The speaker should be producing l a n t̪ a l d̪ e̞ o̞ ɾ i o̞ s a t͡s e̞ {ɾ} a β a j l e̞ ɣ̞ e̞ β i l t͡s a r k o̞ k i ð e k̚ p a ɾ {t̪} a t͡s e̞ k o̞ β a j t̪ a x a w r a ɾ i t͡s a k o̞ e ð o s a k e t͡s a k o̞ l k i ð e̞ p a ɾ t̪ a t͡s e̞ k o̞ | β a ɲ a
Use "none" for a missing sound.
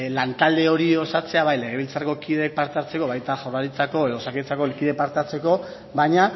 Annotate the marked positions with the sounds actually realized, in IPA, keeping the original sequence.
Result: none, t̪

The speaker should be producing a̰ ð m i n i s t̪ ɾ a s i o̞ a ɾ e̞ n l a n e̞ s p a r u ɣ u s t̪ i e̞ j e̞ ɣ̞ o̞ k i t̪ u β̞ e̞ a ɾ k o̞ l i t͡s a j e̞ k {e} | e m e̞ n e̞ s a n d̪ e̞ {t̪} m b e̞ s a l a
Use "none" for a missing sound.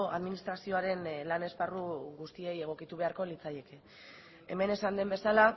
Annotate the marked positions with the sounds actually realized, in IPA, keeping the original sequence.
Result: e, none

